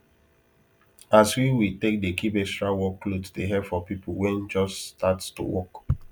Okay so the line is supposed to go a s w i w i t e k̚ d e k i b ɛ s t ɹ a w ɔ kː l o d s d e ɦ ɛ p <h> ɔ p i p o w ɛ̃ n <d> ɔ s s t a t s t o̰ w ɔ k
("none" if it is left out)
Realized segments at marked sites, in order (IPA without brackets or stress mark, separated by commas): f, d͡ʒ